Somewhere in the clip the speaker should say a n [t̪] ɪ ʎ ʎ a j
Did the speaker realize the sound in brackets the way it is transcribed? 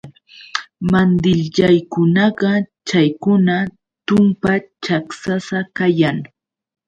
no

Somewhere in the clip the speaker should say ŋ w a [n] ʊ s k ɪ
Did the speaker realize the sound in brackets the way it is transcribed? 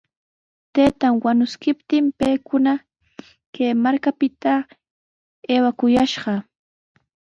yes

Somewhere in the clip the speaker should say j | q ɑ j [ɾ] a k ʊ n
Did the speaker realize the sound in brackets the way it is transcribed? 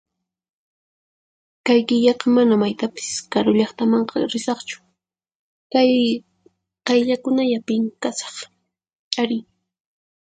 no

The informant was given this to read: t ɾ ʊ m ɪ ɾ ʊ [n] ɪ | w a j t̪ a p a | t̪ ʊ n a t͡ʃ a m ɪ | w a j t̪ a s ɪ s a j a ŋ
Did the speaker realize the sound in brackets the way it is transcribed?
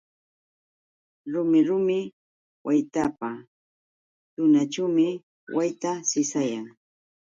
no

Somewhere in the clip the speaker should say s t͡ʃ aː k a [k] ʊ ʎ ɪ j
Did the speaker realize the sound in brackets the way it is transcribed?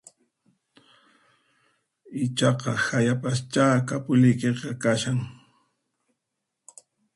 no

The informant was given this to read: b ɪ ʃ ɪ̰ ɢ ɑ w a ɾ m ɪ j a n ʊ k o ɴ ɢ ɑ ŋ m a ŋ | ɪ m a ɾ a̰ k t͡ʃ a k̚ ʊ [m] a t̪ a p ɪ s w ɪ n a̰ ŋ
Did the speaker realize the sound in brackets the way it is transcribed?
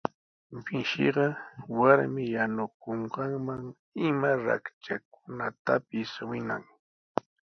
no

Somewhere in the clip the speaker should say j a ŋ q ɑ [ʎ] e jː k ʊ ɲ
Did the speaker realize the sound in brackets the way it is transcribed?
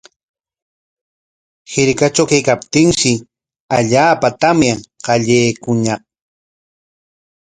yes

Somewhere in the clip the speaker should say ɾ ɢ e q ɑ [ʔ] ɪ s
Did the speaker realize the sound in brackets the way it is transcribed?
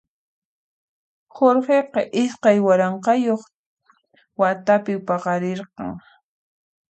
yes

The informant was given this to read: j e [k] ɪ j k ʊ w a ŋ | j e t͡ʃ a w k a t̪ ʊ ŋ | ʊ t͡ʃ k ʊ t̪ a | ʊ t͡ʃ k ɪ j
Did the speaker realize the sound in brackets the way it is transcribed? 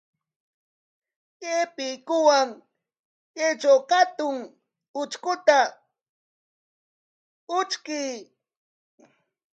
no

